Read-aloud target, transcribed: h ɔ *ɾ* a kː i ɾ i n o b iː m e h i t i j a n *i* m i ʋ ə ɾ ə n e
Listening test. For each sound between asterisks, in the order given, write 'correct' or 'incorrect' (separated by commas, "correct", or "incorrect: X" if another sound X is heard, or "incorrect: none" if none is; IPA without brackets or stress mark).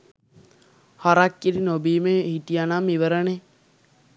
correct, incorrect: a